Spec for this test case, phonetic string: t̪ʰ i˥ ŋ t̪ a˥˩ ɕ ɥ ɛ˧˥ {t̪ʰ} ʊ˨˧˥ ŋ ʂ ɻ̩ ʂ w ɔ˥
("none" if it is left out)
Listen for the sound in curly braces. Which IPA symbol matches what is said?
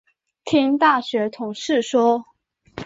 t̪ʰ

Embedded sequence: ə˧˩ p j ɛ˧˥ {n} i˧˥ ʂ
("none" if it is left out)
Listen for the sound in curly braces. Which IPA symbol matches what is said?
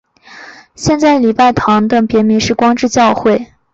m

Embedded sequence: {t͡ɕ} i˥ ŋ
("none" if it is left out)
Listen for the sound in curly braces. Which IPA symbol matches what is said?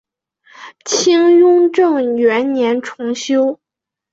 t͡ɕʰ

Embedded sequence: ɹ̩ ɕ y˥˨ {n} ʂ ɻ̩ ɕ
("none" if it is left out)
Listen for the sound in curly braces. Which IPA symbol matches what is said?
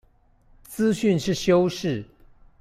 n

